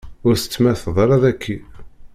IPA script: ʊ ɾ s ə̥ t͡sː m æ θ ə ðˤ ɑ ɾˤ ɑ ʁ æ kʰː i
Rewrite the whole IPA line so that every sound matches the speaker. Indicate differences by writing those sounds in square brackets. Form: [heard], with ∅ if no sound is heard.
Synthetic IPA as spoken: ʊ ɾ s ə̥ t͡sː m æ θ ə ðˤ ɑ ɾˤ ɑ [ð] æ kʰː i